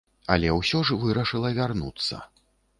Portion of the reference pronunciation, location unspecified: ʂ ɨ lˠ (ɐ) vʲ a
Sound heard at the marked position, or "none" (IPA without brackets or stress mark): ɐ